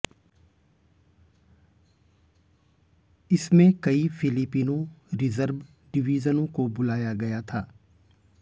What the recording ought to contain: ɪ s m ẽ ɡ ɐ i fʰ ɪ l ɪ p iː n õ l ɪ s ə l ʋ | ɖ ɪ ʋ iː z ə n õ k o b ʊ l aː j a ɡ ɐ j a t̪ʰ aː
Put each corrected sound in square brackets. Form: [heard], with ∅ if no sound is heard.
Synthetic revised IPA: ɪ s m ẽ [k] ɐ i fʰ ɪ l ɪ p iː n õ [ɾ] ɪ [z] ə [ɾ] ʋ | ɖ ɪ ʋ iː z ə n õ k o b ʊ l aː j a ɡ ɐ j a t̪ʰ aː